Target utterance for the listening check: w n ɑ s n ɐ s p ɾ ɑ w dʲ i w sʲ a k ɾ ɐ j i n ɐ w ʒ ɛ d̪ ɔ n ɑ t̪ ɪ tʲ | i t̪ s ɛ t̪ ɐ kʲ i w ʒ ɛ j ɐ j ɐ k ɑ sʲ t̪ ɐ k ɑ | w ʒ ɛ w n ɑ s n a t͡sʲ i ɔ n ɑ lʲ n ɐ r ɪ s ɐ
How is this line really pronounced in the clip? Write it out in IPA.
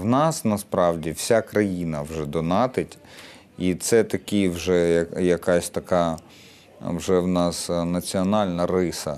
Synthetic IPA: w n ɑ s n ɐ s p ɾ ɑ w dʲ i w sʲ a k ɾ ɐ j i n ɐ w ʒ ɛ d̪ ɔ n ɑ t̪ ɪ tʲ | i t̪ s ɛ t̪ ɐ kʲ i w ʒ ɛ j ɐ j ɐ k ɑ sʲ t̪ ɐ k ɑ | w ʒ ɛ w n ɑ s n ɐ t͡sʲ i ɔ n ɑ lʲ n ɐ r ɪ s ɐ